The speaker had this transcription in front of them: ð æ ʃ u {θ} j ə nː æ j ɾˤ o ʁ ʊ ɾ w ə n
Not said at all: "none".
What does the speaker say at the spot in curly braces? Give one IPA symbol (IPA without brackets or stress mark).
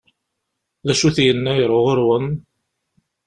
θ